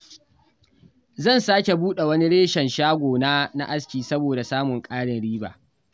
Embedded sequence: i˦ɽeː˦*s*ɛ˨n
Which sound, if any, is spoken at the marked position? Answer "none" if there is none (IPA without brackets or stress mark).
ʃ